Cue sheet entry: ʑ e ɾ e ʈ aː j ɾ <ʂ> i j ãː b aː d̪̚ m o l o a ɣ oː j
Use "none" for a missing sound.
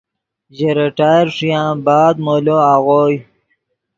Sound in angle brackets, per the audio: ʂ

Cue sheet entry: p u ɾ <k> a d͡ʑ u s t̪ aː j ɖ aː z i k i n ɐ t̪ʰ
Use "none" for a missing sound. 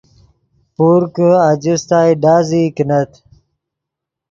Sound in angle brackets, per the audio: k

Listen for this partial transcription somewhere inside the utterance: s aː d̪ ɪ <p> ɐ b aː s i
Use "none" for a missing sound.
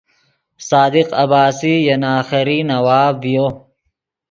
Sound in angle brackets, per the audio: q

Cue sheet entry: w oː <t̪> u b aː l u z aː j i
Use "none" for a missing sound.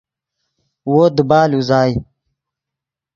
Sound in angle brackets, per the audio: d̪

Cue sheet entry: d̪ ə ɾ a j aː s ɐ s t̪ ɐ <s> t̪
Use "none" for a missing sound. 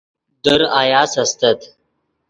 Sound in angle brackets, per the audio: none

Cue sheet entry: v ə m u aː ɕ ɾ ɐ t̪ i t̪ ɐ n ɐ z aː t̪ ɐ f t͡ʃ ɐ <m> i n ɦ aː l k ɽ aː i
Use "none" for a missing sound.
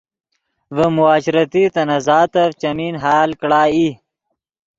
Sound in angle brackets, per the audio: m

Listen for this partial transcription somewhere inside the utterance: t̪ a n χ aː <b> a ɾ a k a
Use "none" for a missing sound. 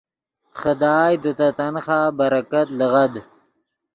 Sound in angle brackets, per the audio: b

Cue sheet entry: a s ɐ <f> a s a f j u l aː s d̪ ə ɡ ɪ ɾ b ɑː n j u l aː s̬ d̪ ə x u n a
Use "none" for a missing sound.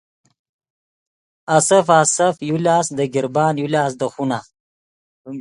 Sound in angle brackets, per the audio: f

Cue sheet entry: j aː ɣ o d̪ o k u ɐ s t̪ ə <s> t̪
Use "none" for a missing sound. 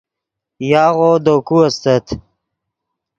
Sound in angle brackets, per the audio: none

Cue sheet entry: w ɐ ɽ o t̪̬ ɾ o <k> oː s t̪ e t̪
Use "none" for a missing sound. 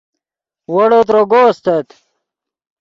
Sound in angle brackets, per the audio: ɡ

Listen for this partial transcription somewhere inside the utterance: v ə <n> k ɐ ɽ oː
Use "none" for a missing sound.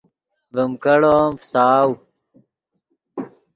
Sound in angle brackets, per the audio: m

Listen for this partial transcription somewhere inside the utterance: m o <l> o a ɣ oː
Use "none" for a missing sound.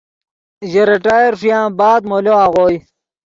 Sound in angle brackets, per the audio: l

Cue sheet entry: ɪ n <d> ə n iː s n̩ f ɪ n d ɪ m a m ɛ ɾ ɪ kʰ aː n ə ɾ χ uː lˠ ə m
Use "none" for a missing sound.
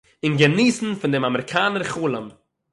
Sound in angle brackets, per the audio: ɡ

